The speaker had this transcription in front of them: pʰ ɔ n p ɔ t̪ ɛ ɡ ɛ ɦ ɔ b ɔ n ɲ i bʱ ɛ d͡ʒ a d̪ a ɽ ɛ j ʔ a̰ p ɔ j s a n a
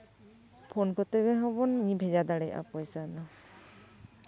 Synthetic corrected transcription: pʰ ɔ n k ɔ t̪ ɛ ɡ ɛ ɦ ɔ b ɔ n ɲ i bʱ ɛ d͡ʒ a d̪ a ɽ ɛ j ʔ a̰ p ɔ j s a n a